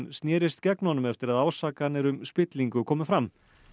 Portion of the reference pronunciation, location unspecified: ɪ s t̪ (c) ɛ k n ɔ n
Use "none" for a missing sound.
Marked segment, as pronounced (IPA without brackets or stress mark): c